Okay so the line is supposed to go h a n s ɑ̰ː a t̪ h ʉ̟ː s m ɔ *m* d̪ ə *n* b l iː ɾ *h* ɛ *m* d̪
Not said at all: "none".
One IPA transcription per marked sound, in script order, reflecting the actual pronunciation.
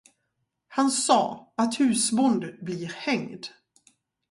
n, none, h, ŋ

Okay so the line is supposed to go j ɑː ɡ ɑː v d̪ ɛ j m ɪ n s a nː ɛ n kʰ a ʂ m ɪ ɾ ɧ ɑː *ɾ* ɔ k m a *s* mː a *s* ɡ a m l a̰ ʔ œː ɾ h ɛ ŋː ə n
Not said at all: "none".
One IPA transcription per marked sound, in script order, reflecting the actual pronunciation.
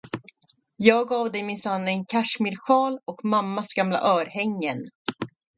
l, none, s

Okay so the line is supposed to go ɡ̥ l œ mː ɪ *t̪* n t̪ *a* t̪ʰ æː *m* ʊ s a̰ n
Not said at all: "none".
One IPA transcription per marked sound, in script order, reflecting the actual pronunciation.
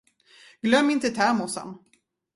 none, ə, m

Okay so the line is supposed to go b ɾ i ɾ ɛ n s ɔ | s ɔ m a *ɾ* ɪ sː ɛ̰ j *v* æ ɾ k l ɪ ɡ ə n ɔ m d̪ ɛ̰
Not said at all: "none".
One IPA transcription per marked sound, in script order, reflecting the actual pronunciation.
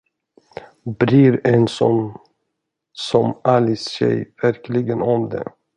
l, v

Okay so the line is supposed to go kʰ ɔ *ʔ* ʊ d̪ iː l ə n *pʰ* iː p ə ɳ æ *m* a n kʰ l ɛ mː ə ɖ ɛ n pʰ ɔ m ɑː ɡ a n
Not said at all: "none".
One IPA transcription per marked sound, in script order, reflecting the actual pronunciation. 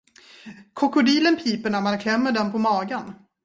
k, pʰ, m

